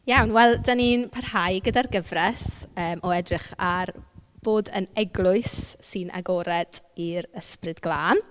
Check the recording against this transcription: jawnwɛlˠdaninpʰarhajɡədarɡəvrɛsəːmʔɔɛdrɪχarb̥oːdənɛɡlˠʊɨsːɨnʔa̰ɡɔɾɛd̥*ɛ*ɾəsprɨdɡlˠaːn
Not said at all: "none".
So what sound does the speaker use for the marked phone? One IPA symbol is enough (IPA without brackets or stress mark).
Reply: i